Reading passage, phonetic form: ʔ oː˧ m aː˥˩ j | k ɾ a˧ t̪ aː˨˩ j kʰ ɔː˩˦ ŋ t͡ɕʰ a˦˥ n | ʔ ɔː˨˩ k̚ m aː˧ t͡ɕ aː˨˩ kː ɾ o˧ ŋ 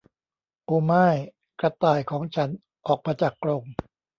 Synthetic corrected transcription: ʔ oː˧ m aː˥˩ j | k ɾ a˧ t̪ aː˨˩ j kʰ ɔː˩˦ ŋ t͡ɕʰ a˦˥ n | ʔ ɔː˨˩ k̚ m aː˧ t͡ɕ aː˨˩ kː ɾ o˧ ŋ